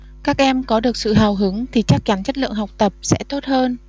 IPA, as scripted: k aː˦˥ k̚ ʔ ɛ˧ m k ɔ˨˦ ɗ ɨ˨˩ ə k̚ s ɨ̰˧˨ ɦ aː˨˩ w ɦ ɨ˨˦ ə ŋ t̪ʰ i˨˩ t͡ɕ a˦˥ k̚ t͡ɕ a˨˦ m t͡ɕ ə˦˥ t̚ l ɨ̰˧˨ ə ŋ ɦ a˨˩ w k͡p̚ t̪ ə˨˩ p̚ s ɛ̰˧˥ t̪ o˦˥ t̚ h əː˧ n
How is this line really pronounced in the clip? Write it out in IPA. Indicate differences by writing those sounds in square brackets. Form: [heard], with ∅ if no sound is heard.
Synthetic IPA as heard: k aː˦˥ k̚ ʔ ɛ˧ m k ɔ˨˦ ɗ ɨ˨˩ ə k̚ s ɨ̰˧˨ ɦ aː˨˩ w ɦ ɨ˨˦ ə ŋ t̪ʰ i˨˩ t͡ɕ a˦˥ k̚ t͡ɕ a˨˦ [n] t͡ɕ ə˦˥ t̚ l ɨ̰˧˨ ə ŋ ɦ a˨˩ w k͡p̚ t̪ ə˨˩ p̚ s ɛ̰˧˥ t̪ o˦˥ t̚ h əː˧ n